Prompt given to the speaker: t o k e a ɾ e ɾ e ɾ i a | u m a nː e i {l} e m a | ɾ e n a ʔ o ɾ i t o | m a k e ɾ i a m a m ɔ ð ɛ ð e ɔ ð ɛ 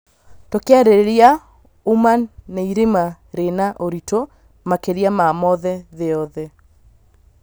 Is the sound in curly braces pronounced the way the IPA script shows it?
no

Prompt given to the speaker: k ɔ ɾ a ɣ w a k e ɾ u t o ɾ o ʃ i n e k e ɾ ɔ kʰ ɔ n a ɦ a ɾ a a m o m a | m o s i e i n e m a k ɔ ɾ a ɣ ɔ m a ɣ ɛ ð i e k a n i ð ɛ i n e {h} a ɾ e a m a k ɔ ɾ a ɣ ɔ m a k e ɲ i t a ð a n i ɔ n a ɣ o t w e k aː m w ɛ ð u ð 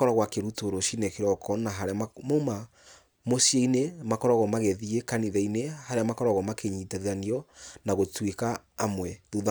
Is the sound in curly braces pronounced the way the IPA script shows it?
yes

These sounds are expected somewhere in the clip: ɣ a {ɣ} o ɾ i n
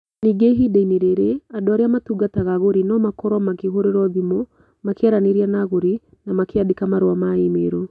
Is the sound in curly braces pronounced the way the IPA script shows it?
yes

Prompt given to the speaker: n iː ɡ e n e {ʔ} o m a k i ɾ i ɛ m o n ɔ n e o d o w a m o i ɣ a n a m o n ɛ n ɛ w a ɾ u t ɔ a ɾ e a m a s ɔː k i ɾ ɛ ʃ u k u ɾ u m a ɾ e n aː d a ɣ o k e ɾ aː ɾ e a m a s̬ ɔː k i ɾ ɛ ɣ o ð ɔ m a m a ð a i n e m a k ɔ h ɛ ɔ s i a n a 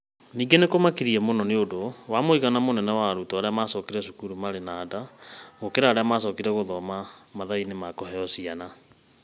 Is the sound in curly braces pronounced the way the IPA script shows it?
no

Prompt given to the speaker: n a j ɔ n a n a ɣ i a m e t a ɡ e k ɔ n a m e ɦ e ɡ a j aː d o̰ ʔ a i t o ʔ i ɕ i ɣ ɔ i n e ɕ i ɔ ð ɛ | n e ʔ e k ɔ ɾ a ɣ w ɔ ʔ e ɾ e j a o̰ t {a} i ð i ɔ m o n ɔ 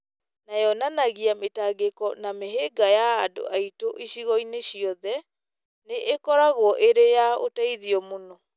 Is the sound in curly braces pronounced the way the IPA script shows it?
yes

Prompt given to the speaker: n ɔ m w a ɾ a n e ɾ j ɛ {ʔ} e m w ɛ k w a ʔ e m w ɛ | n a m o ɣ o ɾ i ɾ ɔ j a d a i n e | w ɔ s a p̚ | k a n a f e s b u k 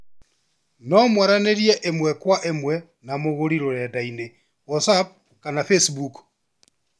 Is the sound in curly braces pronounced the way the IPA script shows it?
yes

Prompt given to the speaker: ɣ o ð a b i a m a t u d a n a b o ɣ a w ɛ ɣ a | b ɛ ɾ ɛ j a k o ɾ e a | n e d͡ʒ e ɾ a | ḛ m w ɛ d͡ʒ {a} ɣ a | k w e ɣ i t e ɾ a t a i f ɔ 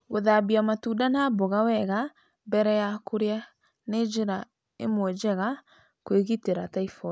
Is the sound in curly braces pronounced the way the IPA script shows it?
no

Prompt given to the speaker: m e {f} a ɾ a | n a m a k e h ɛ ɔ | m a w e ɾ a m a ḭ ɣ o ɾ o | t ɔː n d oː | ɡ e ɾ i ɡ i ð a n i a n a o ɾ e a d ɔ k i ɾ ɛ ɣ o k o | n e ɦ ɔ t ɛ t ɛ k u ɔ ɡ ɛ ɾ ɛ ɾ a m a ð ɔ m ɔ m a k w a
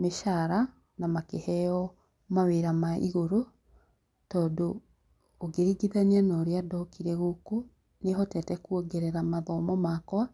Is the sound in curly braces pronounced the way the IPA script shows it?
no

